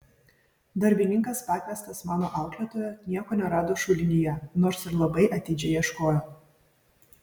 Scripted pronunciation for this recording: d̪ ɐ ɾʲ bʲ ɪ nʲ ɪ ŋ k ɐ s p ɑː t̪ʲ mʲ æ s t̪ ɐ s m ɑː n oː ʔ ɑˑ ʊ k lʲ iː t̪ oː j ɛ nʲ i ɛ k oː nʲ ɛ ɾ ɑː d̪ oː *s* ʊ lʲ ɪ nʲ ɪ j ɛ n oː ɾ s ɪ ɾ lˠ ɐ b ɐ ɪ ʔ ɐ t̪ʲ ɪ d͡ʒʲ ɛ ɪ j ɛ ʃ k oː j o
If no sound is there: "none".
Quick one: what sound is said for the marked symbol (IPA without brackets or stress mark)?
ʃ